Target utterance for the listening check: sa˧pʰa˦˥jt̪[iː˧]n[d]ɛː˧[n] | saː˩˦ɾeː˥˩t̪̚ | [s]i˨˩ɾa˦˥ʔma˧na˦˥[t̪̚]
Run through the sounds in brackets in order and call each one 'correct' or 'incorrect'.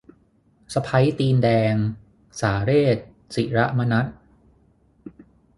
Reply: correct, correct, incorrect, correct, correct

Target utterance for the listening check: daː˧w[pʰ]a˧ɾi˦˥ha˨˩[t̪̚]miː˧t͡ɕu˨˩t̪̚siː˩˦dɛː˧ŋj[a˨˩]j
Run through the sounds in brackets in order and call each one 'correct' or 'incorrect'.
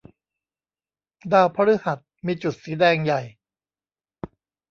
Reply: correct, correct, correct

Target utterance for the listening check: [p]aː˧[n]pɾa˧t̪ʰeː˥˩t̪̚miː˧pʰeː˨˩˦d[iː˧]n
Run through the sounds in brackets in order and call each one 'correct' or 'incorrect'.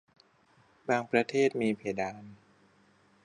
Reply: incorrect, incorrect, incorrect

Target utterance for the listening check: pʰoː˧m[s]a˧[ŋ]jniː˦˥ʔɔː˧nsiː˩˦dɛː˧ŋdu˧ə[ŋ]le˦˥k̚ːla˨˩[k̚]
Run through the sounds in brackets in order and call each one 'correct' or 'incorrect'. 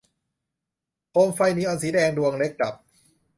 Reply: incorrect, incorrect, correct, incorrect

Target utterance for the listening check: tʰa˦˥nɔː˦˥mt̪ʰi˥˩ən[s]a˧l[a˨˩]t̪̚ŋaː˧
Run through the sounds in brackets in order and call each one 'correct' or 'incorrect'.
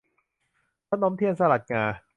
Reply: correct, correct

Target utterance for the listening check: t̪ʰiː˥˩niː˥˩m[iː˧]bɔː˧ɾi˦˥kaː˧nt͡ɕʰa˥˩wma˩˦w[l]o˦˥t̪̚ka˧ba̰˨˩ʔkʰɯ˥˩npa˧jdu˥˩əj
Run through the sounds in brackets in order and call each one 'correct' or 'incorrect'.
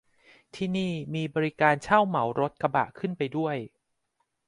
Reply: correct, incorrect

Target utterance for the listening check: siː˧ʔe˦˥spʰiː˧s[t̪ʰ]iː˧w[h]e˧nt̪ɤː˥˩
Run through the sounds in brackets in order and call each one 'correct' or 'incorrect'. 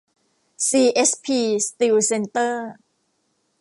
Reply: incorrect, incorrect

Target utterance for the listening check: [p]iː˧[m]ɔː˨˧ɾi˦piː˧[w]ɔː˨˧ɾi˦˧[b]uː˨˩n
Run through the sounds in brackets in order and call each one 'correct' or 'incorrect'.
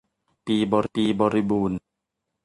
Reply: correct, incorrect, incorrect, correct

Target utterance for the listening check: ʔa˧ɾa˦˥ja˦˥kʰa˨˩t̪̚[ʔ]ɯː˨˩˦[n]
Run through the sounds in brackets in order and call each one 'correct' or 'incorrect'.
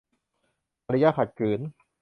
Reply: incorrect, correct

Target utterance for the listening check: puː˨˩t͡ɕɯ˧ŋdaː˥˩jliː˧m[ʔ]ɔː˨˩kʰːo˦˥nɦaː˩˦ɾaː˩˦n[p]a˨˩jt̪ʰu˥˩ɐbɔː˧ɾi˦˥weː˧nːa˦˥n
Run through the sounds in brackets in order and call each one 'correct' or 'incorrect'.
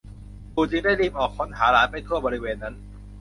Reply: correct, correct

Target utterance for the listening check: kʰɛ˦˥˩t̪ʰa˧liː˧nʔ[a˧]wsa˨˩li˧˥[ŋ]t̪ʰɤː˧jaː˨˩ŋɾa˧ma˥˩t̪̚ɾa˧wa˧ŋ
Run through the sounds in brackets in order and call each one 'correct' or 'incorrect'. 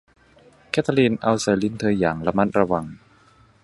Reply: correct, incorrect

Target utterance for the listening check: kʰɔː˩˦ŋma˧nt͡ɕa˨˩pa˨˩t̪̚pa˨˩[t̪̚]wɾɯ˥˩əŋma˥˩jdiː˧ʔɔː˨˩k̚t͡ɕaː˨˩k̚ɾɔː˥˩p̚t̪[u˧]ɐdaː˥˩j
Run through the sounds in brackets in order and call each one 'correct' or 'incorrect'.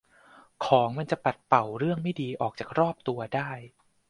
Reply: incorrect, correct

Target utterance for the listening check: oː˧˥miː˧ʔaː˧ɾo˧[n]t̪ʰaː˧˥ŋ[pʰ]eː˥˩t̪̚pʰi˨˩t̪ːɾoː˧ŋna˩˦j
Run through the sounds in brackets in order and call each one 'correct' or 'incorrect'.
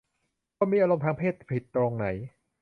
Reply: incorrect, correct

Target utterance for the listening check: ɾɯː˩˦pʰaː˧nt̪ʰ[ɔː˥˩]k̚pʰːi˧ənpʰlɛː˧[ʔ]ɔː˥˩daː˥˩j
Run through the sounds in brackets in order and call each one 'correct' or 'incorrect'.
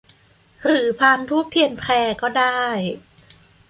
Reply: incorrect, incorrect

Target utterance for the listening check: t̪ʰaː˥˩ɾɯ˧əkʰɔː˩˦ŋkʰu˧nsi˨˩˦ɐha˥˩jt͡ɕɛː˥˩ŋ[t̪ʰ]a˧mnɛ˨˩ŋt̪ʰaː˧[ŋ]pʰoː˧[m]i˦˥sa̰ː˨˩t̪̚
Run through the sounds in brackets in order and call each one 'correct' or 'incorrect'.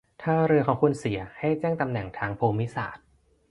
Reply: incorrect, correct, correct

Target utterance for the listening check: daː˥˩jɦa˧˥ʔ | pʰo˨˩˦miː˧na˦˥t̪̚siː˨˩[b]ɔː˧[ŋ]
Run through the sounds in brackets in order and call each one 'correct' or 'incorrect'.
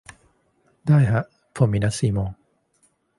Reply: incorrect, correct

